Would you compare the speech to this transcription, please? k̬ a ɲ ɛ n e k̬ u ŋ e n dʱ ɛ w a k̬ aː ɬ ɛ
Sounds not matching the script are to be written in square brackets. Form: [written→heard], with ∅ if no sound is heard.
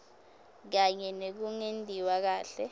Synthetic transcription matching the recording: k̬ a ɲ ɛ n e k̬ u ŋ e n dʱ [ɛ→i] w a k̬ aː ɬ ɛ